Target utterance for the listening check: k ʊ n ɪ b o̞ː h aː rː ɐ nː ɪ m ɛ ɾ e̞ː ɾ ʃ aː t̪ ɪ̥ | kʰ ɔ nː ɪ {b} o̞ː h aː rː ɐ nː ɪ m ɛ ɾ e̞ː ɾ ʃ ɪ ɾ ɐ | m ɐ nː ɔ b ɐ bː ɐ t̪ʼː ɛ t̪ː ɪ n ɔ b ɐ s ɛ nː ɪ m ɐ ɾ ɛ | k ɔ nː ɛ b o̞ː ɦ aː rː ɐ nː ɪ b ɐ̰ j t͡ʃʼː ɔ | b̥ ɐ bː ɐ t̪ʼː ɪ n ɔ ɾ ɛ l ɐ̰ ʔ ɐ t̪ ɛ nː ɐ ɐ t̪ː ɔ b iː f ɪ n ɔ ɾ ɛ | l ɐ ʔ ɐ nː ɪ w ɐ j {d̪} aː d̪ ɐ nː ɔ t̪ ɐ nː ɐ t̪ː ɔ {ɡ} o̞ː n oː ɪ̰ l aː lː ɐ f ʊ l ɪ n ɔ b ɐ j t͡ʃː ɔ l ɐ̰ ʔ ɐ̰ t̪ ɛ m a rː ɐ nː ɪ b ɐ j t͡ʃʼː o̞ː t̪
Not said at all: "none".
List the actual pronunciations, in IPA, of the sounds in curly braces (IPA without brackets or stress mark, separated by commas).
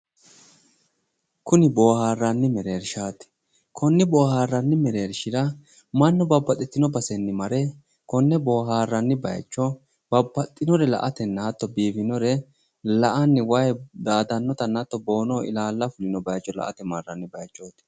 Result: b, d̪, b